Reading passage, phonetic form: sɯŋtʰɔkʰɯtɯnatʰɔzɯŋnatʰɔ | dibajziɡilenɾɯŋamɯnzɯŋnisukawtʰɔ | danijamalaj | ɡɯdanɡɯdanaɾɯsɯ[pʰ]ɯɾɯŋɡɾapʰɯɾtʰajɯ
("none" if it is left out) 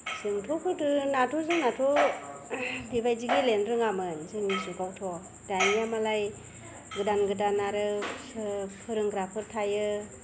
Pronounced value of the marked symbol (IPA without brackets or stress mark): pʰ